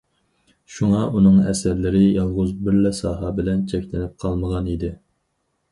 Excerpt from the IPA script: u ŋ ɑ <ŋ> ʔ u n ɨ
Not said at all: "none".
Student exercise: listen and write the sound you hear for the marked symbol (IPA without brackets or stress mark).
none